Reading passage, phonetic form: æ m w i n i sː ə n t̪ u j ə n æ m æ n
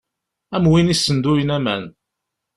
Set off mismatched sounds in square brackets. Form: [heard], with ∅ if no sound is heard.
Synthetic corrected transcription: æ m w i n i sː ə n [d̪] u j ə n æ m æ n